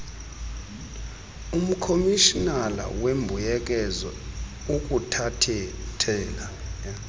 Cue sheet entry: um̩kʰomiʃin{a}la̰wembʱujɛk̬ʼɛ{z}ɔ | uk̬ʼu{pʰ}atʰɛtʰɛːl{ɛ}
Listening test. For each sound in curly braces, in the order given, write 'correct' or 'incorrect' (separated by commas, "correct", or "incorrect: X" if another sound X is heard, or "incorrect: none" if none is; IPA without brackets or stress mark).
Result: correct, correct, incorrect: tʰ, incorrect: a